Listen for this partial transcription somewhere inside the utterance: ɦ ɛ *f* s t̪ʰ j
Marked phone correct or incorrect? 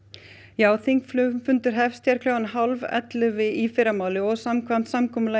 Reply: correct